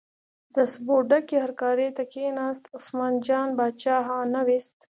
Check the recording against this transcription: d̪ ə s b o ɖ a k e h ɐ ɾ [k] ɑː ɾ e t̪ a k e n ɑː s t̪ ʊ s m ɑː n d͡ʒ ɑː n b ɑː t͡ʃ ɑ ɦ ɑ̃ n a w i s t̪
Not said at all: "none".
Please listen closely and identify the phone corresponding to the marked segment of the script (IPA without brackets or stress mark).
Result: k